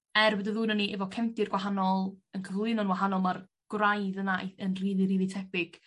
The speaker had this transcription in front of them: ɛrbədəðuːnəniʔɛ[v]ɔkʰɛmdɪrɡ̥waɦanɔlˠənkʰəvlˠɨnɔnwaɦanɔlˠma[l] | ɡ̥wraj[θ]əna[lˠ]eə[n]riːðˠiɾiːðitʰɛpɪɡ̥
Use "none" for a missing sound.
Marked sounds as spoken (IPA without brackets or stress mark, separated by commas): v, r, ð, none, n